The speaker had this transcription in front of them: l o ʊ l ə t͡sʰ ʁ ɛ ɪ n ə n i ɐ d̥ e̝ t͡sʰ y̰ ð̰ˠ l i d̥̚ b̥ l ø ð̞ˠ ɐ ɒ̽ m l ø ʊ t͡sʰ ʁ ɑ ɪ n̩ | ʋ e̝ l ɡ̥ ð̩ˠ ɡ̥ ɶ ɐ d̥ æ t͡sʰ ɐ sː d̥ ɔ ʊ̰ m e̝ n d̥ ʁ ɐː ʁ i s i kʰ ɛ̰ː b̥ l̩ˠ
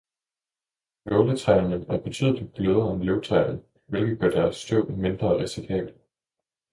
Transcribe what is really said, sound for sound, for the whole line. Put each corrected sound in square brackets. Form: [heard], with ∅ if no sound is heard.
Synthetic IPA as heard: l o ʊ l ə t͡sʰ ʁ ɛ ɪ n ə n [æ] ɐ [b̥] e̝ t͡sʰ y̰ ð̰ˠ l i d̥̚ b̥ l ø ð̞ˠ ɐ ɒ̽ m l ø ʊ t͡sʰ ʁ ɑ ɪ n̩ | ʋ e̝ l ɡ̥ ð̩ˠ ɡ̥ ɶ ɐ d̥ æ [∅] ɐ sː d̥ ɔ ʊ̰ m e̝ n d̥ ʁ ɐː ʁ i s i kʰ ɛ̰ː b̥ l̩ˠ